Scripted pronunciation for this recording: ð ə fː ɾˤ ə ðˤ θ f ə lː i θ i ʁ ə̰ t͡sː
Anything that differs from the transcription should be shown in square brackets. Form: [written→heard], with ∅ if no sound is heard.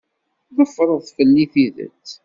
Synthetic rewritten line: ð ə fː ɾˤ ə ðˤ θ f ə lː i θ i [ʁ→ð] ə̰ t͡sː